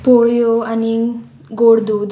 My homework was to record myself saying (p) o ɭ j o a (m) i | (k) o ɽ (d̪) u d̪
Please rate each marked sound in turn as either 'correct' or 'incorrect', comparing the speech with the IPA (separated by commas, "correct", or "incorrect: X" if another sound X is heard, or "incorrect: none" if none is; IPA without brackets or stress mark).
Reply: correct, incorrect: n, incorrect: ɡ, correct